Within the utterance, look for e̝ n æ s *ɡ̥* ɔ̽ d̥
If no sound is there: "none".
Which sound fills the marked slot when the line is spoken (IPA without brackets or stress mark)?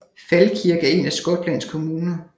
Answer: ɡ̥